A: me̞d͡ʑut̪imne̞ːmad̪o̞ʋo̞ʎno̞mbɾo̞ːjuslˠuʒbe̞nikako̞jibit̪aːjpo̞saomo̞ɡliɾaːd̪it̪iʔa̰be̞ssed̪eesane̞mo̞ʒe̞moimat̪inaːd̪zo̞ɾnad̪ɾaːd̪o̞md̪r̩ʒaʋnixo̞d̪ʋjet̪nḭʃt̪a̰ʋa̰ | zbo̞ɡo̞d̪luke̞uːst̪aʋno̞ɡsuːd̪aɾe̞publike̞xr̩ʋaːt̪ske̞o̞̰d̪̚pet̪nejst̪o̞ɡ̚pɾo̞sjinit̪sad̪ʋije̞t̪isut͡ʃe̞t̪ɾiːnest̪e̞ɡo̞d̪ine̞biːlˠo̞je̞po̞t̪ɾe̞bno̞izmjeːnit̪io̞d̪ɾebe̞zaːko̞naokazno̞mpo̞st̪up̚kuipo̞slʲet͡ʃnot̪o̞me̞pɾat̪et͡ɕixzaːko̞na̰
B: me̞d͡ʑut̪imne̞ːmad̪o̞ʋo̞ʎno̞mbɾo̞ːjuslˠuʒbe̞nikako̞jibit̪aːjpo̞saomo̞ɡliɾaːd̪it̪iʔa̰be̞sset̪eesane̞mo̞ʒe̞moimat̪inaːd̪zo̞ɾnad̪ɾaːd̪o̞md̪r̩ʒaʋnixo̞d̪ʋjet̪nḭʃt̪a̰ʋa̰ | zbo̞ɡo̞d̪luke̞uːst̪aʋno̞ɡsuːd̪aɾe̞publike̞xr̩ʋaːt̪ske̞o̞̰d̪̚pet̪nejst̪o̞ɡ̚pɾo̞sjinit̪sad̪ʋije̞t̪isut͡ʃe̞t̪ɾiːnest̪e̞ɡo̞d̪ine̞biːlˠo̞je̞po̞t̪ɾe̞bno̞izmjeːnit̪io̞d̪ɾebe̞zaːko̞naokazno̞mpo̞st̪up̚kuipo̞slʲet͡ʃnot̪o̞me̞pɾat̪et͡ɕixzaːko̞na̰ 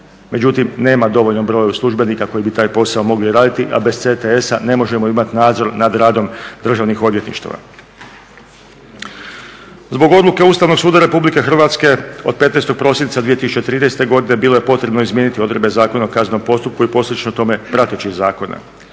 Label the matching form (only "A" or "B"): B